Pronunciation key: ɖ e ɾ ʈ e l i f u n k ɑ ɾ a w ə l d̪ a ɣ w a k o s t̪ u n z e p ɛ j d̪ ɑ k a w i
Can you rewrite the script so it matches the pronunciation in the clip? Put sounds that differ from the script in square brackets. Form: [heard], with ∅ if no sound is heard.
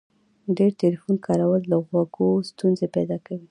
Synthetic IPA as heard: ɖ e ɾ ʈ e l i f u n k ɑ ɾ a w ə l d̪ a ɣ w a [ɡ] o s t̪ u n z e p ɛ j d̪ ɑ k a w i